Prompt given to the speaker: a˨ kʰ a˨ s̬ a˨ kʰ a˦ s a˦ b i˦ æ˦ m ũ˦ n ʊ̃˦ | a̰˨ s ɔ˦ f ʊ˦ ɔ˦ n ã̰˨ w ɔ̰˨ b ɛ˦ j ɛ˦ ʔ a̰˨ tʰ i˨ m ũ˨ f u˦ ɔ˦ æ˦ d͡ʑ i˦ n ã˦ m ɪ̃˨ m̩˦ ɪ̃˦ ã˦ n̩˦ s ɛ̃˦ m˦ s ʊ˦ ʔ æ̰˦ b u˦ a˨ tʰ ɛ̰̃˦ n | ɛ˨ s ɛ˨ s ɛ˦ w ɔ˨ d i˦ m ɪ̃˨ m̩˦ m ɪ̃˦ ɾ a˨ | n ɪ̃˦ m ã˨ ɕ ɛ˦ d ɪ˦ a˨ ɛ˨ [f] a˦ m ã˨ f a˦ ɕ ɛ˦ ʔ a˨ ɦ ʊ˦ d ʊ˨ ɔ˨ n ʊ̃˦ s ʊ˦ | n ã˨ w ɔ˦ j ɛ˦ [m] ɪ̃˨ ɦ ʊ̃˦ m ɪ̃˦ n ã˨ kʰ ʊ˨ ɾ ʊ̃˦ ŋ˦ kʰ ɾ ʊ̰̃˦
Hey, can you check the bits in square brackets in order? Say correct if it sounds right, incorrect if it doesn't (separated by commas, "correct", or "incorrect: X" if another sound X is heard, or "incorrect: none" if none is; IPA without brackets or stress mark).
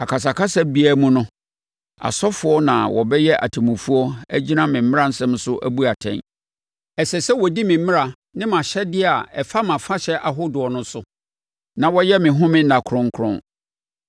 correct, correct